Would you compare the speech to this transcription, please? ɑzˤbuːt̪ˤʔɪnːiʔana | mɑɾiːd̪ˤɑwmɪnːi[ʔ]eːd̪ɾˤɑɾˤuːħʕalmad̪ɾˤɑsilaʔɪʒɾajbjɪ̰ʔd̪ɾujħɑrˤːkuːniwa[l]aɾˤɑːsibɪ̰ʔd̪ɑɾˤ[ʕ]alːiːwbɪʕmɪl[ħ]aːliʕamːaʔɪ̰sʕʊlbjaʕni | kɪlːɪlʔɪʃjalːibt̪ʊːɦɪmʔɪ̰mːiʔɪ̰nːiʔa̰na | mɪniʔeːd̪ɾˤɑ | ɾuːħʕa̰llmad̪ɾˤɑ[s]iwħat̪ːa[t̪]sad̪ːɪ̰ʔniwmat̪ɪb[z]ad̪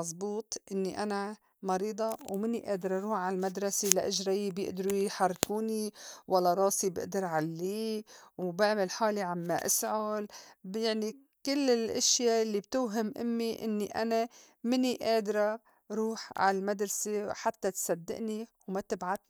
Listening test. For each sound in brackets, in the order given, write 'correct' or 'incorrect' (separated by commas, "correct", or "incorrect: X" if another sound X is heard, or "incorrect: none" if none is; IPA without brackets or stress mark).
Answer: correct, incorrect: lː, correct, correct, correct, correct, incorrect: ʕ